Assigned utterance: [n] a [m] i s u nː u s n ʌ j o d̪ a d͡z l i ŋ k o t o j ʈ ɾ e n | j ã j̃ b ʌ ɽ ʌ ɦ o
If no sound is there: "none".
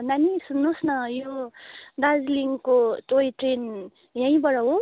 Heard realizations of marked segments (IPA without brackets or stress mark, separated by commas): n, n